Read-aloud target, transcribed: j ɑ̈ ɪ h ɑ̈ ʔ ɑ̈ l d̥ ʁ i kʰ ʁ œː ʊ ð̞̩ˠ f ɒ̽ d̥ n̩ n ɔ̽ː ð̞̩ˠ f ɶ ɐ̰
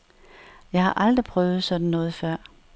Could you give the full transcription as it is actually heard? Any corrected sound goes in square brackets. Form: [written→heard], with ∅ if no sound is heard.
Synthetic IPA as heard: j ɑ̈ ɪ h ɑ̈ ʔ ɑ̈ l d̥ ʁ i [kʰ→pʰ] ʁ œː ʊ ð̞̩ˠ [f→s] ɒ̽ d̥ n̩ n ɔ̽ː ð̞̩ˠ f ɶ ɐ̰